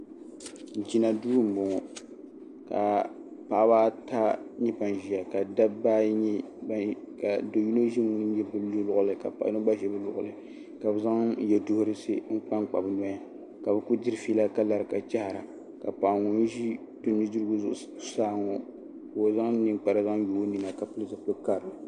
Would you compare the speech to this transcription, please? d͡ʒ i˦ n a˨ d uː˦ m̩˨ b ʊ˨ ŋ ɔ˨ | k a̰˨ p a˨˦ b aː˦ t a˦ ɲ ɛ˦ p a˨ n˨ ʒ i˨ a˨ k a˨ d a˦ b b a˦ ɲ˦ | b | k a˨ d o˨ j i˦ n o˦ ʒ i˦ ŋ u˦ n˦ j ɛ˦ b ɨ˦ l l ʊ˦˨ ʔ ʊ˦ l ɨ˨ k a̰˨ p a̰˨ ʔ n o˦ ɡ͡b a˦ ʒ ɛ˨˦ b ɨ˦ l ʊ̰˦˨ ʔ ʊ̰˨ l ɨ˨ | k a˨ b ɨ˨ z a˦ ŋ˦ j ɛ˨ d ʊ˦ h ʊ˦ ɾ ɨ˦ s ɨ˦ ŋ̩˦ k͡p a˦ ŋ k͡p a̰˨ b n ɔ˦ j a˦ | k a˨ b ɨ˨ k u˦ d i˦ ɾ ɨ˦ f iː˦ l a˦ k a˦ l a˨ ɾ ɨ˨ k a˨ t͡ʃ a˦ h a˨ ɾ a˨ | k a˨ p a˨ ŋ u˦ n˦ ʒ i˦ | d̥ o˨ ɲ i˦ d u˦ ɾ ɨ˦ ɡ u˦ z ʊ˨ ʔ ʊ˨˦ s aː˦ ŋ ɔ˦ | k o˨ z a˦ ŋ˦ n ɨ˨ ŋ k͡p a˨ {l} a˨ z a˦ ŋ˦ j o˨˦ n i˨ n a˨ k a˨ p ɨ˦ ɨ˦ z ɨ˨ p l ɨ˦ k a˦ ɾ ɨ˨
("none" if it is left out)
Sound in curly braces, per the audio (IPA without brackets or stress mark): ɾ